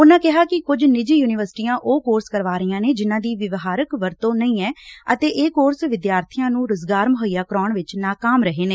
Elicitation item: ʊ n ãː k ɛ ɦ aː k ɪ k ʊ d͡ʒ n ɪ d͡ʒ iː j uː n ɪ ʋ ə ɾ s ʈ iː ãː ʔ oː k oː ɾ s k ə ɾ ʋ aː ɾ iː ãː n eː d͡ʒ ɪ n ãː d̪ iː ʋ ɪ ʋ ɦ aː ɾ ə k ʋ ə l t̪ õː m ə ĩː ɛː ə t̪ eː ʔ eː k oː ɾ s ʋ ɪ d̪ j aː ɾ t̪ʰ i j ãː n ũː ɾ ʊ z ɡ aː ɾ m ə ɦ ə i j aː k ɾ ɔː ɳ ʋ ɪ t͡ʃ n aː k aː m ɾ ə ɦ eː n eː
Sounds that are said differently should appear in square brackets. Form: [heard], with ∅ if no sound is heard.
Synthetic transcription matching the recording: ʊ n ãː k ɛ ɦ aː k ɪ k ʊ d͡ʒ n ɪ d͡ʒ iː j uː n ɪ ʋ ə ɾ s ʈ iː ãː ʔ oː k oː ɾ s k ə ɾ ʋ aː ɾ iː ãː n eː d͡ʒ ɪ n ãː d̪ iː ʋ ɪ ʋ ɦ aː ɾ ə k ʋ ə [ɾ] t̪ õː [n] ə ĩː ɛː ə t̪ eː ʔ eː k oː ɾ s ʋ ɪ d̪ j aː ɾ t̪ʰ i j ãː n ũː ɾ ʊ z ɡ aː ɾ m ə ɦ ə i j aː k ɾ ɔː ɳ ʋ ɪ t͡ʃ n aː k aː m ɾ ə ɦ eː n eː